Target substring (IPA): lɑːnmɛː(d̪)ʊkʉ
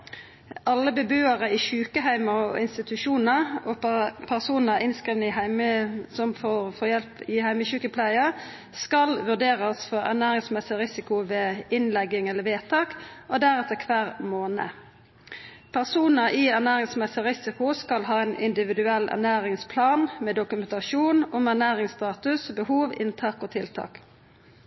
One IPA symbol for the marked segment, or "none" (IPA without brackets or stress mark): d̪